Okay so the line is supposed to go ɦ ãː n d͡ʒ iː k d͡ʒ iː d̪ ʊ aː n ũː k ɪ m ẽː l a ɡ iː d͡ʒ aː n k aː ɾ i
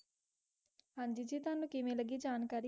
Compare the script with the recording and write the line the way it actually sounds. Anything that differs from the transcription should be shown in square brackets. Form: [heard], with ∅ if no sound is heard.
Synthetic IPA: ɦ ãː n d͡ʒ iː [∅] d͡ʒ iː [t̪] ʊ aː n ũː k ɪ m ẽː l [ə] ɡ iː d͡ʒ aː n k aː ɾ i